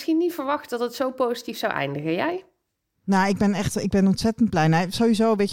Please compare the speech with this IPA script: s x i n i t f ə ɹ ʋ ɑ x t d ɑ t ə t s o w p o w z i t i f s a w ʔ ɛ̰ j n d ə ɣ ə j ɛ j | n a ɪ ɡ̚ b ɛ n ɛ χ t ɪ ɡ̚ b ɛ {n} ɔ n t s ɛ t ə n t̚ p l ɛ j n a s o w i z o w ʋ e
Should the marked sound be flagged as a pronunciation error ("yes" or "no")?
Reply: no